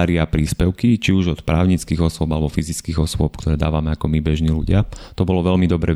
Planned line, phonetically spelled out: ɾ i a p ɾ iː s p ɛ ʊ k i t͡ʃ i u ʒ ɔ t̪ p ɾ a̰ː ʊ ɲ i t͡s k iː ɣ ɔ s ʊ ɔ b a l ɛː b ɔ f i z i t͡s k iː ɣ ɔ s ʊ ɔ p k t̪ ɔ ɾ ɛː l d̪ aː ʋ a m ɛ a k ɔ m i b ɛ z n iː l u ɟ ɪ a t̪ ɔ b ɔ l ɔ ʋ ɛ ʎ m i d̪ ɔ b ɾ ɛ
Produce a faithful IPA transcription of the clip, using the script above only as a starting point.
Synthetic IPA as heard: ɾ i a p ɾ iː s p ɛ ʊ k i t͡ʃ i u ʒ ɔ t̪ p ɾ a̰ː ʊ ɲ i t͡s k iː ɣ ɔ s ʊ ɔ b a l ɛ b ɔ f i z i t͡s k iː ɣ ɔ s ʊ ɔ p k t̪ ɔ ɾ ɛː d̪ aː ʋ a m ɛ a k ɔ m i b ɛ ʒ n iː l u ɟ ɪ a t̪ ɔ b ɔ l ɔ ʋ ɛ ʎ m i d̪ ɔ b ɾ ɛ